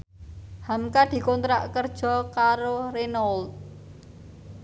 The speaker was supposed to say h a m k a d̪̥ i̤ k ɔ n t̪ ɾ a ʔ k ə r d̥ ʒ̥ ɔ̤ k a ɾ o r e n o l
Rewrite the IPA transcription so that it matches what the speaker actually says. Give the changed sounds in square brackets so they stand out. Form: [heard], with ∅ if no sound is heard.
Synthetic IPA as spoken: h a m k a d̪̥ i̤ k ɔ n t̪ ɾ a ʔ k ə r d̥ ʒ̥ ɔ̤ k a ɾ o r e n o l